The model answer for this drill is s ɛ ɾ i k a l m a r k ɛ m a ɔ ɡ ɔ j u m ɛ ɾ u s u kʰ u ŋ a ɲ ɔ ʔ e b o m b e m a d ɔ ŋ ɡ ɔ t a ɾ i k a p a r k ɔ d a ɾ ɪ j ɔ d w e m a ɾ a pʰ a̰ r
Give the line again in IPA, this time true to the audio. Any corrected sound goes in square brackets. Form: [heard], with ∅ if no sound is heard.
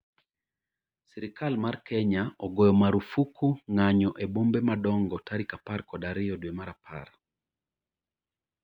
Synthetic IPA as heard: s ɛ ɾ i k a l m a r k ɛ [ɲ] a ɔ ɡ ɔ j [ɔ] m [a] ɾ u [f] u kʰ u ŋ a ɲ ɔ ʔ e b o m b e m a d ɔ ŋ ɡ ɔ t a ɾ i k a p a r k ɔ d a ɾ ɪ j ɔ d w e m a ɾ a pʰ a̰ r

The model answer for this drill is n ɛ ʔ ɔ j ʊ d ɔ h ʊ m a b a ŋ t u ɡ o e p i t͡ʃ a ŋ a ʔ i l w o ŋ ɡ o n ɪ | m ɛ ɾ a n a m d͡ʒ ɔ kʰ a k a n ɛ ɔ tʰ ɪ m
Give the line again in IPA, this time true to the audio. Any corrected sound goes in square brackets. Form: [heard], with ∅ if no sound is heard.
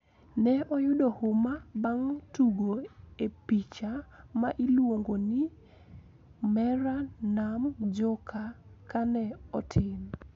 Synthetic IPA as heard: n ɛ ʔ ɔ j ʊ d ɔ h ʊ m a b a ŋ t u ɡ o e p i t͡ʃ a [m] a ʔ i l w o ŋ ɡ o n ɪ | m ɛ ɾ a n a m d͡ʒ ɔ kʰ a k a n ɛ ɔ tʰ ɪ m

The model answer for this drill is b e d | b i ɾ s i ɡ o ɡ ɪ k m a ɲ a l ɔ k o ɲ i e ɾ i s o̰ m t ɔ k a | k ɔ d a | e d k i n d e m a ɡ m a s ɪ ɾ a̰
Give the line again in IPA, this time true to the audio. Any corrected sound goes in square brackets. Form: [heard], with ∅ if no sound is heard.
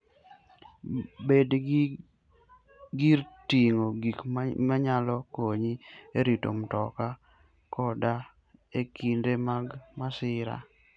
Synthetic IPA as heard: b e d | [ɡ] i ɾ [t] i [ŋ] o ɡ [i] k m a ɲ a l ɔ k o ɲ i e ɾ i [t] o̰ m t ɔ k a | k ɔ d a | e [∅] k i n d e m a ɡ m a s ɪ ɾ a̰

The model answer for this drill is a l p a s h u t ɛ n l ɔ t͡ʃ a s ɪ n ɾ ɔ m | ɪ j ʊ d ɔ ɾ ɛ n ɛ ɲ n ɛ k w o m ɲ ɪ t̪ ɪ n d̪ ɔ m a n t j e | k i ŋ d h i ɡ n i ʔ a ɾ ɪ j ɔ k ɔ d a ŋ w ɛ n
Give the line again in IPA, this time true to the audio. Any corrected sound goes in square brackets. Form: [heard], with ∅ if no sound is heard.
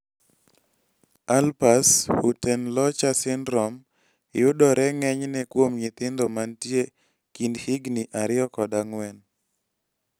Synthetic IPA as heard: a l p a s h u t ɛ n l ɔ t͡ʃ a s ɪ n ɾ ɔ m | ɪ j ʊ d ɔ ɾ ɛ [ŋ] ɛ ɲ n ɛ k w o m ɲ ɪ t̪ ɪ n d̪ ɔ m a n t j e | k i [n] d h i ɡ n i ʔ a ɾ ɪ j ɔ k ɔ d a ŋ w ɛ n

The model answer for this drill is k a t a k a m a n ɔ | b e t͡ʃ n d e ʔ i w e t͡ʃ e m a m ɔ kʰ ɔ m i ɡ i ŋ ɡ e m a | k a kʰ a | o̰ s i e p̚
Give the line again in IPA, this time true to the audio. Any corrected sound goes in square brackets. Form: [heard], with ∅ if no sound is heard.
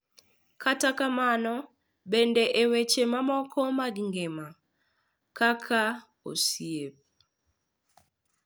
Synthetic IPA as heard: k a t a k a m a n ɔ | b e [∅] n d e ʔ [e] w e t͡ʃ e m a m ɔ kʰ ɔ m [a] ɡ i ŋ ɡ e m a | k a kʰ a | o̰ s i e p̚

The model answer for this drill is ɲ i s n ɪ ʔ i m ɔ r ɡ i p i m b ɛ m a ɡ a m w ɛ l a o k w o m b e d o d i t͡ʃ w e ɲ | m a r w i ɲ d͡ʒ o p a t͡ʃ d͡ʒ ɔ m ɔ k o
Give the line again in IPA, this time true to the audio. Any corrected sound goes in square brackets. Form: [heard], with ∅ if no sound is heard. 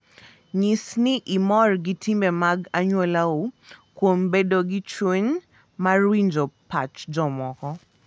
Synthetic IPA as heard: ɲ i s n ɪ ʔ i m ɔ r ɡ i [t] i m b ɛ m a ɡ a [ɲ] w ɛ l a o k w o m b e d o [ɡ] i t͡ʃ w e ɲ | m a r w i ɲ d͡ʒ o p a t͡ʃ d͡ʒ ɔ m ɔ k [ɔ]

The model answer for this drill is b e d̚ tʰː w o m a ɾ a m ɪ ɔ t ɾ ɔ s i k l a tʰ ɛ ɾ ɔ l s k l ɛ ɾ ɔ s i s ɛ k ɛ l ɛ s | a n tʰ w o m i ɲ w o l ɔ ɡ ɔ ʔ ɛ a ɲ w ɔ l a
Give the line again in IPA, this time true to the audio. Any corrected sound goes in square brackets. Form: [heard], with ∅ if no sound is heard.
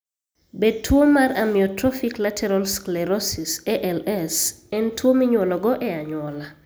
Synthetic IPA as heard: b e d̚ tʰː w o m a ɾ a m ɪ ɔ t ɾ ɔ [f] i k l a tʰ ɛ ɾ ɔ l s k l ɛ ɾ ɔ s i s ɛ [ʔ] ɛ l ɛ s | [ɛ] n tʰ w o m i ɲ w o l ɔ ɡ ɔ ʔ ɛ a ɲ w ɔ l a

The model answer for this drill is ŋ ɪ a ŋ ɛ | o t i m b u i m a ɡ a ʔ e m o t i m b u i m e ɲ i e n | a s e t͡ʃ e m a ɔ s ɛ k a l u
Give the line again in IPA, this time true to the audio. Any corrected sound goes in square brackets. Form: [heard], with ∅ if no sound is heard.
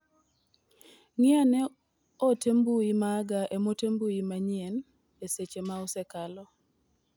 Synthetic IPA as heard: ŋ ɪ a [n] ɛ | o t [e] m b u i m a ɡ a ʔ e m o t [e] m b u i m [a] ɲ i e n | [e] s e t͡ʃ e m a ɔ s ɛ k a l [ɔ]

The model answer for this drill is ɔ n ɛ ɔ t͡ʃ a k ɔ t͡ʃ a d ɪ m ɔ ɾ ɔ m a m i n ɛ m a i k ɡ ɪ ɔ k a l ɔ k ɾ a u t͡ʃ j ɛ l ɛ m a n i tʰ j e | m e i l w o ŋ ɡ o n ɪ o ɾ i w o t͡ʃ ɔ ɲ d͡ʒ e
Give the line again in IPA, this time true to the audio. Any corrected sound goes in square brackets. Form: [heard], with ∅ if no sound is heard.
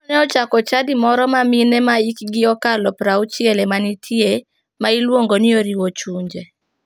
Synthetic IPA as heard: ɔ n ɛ ɔ t͡ʃ a k ɔ t͡ʃ a d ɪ m ɔ ɾ ɔ m a m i n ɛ m a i k ɡ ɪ ɔ k a l ɔ [p] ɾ a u t͡ʃ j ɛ l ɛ m a n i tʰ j e | m [a] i l w o ŋ ɡ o n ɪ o ɾ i w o t͡ʃ [u] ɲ d͡ʒ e

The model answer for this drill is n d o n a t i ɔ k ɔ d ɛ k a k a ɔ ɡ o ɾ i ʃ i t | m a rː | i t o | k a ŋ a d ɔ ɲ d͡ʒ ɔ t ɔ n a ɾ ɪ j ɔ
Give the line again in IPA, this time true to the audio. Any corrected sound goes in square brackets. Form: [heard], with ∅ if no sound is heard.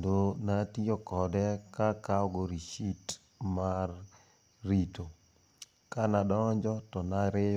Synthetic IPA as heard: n d o n a t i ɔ k ɔ d ɛ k a k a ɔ ɡ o ɾ i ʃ i t | m a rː | i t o | k a [n] a d ɔ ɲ d͡ʒ ɔ t ɔ n a ɾ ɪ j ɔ

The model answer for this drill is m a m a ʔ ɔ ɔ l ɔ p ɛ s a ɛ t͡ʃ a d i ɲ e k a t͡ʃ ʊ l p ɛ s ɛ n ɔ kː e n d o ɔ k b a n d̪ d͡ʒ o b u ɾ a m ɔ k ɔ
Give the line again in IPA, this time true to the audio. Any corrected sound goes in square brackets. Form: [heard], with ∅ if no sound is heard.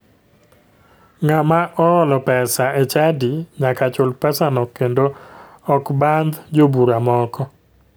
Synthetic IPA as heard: [ŋ] a m a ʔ ɔ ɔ l ɔ p ɛ s a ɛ t͡ʃ a d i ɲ [a] k a t͡ʃ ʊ l p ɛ s [a] n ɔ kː e n d o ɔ k b a n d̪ d͡ʒ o b u ɾ a m ɔ k ɔ

